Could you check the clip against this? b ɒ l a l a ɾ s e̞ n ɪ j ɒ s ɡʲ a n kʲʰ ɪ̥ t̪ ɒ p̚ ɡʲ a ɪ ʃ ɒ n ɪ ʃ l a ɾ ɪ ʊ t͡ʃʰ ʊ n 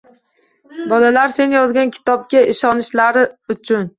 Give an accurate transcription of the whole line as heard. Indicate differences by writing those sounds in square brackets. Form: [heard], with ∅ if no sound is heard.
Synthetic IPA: b ɒ l a l a ɾ s e̞ n ɪ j ɒ [z] ɡʲ a n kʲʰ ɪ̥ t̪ ɒ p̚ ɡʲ a ɪ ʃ ɒ n ɪ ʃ l a ɾ ɪ ʊ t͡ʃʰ ʊ n